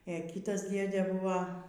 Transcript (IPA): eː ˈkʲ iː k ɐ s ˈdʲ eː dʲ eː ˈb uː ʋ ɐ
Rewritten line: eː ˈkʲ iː t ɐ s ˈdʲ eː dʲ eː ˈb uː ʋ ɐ